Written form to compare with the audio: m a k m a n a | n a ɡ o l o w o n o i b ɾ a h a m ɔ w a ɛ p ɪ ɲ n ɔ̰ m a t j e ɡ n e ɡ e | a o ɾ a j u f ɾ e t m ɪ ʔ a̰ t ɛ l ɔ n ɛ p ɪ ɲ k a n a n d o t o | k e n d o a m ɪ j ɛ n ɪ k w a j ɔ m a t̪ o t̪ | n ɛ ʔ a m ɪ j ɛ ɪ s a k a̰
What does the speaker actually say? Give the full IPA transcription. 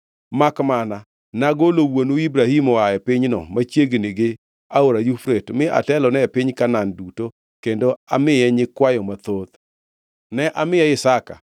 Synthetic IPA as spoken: m a k m a n a | n a ɡ o l o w o n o i b ɾ a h i m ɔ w a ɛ p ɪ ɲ n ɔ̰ m a t͡ʃ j e ɡ n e ɡ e | a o ɾ a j u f ɾ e t m ɪ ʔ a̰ t ɛ l ɔ n ɛ p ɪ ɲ k a n a n d u t o | k e n d o a m ɪ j ɛ ɲ ɪ k w a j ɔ m a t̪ o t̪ | n ɛ ʔ a m ɪ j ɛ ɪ s a k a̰